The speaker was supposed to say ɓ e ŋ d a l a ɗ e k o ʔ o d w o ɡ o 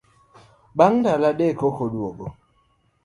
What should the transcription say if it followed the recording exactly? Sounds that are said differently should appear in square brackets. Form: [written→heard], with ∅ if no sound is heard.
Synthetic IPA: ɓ [e→a] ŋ d a l a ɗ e k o [ʔ→k] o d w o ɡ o